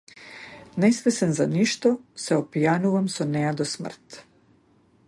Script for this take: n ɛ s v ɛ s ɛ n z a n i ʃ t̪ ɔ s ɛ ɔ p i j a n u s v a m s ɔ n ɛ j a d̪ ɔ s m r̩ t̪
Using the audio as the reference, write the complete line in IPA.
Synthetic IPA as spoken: n ɛ s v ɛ s ɛ n z a n i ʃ t̪ ɔ s ɛ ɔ p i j a n u v a m s ɔ n ɛ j a d̪ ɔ s m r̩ t̪

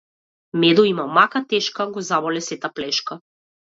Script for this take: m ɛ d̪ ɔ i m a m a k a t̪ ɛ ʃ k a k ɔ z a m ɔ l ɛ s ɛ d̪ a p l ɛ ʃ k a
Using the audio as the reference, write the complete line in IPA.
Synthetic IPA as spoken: m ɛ d̪ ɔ i m a m a k a t̪ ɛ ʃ k a ɡ ɔ z a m ɔ l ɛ s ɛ t̪ a p l ɛ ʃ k a

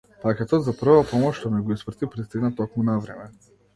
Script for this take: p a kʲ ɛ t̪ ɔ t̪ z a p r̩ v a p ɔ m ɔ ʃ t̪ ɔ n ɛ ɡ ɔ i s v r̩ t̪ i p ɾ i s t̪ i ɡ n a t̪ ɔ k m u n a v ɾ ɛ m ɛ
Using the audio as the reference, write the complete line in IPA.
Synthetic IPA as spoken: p a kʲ ɛ t̪ ɔ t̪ z a p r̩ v a p ɔ m ɔ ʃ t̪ ɔ n ɛ ɡ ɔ i s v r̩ t̪ i p ɾ i s t̪ i ɡ n a t̪ ɔ k m u n a v ɾ ɛ m ɛ

